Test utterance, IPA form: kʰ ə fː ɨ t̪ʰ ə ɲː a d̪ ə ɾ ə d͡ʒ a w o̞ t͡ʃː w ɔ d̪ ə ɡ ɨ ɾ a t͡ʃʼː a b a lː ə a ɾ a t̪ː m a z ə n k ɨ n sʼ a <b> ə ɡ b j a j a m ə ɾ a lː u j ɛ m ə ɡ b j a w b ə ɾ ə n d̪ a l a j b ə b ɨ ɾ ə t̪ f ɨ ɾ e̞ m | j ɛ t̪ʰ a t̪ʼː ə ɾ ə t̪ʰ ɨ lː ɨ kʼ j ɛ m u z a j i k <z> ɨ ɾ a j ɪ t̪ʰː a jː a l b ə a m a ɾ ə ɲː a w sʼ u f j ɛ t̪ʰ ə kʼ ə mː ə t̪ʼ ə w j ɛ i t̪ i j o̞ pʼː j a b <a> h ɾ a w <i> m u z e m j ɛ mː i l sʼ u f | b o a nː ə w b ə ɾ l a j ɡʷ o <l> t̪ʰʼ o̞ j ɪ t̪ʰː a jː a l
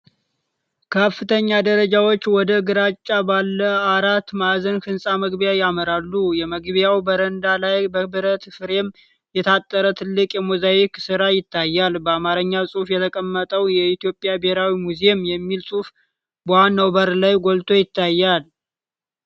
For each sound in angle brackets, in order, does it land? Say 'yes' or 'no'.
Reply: no, no, no, yes, yes

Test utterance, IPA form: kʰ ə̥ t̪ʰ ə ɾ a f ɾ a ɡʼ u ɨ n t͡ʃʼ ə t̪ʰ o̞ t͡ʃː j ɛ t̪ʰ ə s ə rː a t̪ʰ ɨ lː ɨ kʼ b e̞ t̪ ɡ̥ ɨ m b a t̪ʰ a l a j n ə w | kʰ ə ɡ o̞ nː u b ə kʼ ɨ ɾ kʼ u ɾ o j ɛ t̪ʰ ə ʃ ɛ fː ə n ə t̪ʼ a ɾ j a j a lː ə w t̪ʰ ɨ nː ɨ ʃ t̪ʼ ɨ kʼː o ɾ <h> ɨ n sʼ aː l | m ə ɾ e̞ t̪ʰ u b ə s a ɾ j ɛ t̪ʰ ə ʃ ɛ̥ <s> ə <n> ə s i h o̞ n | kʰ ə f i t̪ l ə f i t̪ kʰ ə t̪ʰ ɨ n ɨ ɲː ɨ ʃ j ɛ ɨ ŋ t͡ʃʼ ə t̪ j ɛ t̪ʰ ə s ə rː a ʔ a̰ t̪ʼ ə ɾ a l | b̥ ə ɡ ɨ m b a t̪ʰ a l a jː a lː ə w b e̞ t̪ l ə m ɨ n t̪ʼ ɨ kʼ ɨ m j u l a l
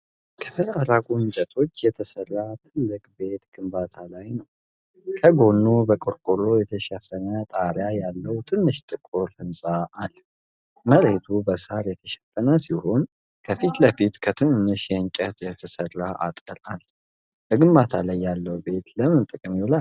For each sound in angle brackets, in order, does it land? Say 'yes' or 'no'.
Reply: yes, no, yes

